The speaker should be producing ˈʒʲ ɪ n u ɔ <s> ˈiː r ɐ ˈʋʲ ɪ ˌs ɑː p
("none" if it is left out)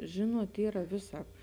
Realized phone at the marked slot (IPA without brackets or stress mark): t